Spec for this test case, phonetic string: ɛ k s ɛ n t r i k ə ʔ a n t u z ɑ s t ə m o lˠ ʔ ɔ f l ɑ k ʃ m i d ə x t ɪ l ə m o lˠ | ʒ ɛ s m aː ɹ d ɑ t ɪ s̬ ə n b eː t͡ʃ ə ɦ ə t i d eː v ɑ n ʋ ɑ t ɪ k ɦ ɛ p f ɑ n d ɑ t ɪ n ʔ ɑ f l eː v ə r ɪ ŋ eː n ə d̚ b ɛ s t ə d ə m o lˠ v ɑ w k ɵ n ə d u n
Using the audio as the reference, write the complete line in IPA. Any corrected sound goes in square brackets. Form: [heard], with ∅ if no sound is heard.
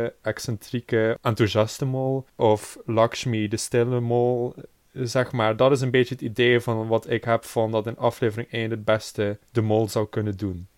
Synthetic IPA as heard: ɛ k s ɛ n t r i k ə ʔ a n t u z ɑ s t ə m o lˠ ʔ ɔ f l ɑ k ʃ m i d ə [s] t ɪ l ə m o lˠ | [z] ɛ [x] m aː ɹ d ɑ t ɪ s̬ ə n b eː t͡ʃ ə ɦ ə t i d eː v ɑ n ʋ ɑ t ɪ k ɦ ɛ p f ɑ n d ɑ t ɪ n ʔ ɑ f l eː v ə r ɪ ŋ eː n ə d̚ b ɛ s t ə d ə m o lˠ [z] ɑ w k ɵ n ə d u n